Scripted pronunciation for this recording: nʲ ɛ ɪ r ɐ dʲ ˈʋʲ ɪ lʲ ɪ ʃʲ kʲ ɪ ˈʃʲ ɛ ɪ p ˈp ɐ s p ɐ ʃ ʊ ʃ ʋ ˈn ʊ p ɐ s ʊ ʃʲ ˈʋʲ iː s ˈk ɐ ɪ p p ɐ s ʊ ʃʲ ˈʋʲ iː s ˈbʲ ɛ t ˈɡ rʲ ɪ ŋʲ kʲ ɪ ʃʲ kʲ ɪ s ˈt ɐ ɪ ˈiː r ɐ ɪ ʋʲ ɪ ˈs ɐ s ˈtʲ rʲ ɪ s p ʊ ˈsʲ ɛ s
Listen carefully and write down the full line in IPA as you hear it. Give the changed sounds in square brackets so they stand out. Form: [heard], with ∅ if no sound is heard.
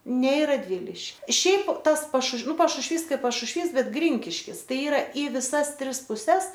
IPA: nʲ ɛ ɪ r ɐ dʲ ˈʋʲ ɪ lʲ ɪ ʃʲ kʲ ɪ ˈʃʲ ɛ ɪ p [ˈt] ɐ s p ɐ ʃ ʊ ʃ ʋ ˈn ʊ p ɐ [ʃ] ʊ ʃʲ ˈʋʲ iː s ˈk ɐ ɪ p p ɐ [ʃ] ʊ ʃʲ ˈʋʲ iː s ˈbʲ ɛ t ˈɡ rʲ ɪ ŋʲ kʲ ɪ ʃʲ kʲ ɪ s ˈt ɐ ɪ ˈiː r ɐ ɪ ʋʲ ɪ ˈs ɐ s ˈtʲ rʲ ɪ s p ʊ ˈsʲ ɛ s